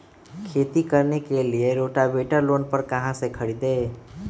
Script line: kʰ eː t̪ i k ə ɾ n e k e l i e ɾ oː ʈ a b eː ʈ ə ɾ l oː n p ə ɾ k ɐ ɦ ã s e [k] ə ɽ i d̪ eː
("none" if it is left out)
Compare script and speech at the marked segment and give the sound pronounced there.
kʰ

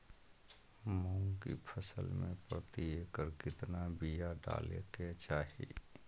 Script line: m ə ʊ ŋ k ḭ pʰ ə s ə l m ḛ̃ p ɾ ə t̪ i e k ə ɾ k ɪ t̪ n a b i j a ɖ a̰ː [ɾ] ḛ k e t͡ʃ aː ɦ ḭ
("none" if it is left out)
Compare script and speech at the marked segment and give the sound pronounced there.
l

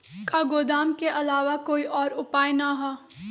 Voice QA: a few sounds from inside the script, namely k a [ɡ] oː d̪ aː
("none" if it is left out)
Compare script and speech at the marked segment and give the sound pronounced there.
ɡ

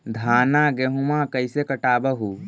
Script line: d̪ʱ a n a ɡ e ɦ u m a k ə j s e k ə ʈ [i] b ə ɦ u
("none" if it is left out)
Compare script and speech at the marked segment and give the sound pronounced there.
a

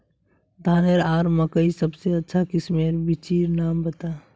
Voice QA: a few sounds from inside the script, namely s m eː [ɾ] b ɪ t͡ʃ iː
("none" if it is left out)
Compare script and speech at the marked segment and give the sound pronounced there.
ɾ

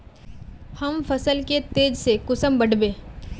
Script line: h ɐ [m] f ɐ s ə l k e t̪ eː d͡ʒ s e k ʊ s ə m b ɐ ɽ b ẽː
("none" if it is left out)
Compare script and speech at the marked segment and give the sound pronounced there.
m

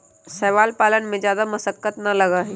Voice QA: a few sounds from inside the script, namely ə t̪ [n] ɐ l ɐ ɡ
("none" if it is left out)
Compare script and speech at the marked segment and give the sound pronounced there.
n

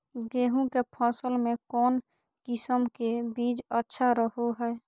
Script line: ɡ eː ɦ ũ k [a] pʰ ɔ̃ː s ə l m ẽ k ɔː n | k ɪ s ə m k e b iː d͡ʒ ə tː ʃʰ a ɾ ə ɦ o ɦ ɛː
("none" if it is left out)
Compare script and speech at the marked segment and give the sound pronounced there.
e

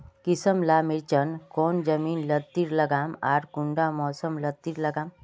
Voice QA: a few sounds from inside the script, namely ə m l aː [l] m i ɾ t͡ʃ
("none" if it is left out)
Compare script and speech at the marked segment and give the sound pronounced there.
none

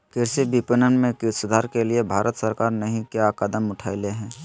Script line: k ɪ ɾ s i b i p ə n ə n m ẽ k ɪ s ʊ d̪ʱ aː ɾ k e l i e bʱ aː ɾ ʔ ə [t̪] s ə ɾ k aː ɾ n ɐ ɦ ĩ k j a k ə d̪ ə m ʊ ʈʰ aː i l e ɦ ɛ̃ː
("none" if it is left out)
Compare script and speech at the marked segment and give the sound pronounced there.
t̪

